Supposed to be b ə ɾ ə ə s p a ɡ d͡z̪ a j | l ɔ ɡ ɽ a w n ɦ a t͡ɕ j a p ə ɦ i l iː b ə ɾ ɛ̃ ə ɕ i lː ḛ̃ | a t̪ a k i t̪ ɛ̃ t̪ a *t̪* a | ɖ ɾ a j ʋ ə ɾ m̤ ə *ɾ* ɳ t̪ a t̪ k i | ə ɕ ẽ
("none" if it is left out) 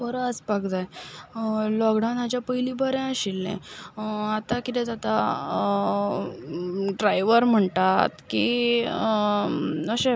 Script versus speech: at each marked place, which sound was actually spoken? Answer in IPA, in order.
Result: t̪, none

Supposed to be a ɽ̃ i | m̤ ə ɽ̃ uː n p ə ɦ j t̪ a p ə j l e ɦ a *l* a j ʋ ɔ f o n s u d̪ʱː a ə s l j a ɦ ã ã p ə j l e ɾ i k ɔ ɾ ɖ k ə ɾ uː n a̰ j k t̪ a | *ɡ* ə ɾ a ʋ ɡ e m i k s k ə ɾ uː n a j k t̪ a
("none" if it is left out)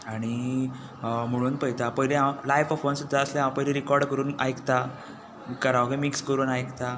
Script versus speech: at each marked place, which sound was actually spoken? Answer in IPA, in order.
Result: l, k

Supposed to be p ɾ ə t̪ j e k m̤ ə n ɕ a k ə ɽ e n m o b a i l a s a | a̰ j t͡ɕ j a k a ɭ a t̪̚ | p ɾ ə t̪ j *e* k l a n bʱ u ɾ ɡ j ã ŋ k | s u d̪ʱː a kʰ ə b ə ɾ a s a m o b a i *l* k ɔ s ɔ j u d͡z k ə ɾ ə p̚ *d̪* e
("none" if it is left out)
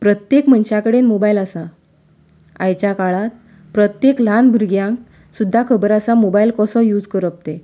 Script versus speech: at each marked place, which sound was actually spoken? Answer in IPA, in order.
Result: e, l, t̪

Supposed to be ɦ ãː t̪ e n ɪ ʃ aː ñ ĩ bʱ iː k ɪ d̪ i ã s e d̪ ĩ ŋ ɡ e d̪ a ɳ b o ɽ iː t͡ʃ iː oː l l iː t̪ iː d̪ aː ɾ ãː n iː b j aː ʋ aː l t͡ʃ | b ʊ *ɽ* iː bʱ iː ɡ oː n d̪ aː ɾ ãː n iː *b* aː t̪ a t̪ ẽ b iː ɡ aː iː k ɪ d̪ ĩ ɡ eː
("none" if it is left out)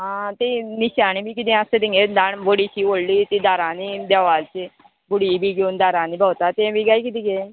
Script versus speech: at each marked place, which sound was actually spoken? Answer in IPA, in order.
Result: ɽ, b

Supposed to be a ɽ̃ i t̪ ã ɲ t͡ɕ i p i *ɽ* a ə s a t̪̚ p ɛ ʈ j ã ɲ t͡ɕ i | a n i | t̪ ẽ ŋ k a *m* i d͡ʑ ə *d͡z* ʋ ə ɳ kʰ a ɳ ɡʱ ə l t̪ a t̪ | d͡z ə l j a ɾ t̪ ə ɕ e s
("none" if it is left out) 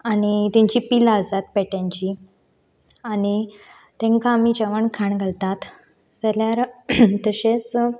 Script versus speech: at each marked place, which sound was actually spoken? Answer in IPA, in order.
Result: l, m, none

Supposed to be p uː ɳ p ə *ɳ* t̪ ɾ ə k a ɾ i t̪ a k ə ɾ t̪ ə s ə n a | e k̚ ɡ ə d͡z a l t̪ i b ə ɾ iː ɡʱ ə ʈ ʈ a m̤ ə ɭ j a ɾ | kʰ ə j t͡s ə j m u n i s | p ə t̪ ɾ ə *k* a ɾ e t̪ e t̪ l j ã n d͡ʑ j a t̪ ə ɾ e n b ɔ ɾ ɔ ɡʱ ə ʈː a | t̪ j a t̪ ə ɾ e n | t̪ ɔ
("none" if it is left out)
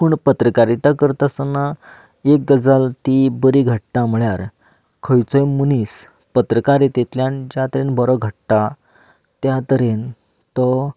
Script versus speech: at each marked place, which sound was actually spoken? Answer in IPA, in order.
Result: none, k

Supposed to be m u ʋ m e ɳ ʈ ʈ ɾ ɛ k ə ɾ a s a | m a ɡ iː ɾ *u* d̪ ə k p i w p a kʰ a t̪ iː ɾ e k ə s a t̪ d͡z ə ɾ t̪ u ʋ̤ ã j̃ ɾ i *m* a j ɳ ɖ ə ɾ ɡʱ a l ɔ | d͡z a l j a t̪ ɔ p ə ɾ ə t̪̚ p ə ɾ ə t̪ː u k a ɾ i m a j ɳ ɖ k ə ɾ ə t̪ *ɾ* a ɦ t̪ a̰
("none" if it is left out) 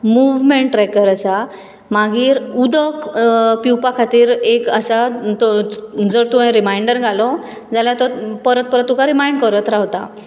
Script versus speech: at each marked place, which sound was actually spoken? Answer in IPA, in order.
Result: u, m, ɾ

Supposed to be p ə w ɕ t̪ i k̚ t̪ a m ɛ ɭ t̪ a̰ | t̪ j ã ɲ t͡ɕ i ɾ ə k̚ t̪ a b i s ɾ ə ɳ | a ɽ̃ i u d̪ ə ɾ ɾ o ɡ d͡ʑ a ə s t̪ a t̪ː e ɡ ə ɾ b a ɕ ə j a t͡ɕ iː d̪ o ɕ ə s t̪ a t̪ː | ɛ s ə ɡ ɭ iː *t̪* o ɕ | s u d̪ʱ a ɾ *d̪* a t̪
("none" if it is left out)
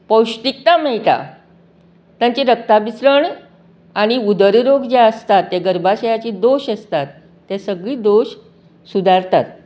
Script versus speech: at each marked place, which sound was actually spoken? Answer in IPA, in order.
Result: d̪, t̪

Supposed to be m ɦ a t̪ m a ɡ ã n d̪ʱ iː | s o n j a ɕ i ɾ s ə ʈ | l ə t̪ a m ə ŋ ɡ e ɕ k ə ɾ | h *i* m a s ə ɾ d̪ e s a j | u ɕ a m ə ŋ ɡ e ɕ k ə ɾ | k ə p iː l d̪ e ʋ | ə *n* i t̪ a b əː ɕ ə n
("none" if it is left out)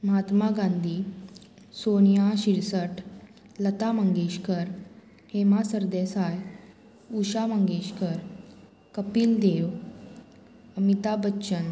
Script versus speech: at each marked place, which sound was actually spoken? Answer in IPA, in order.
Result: e, m

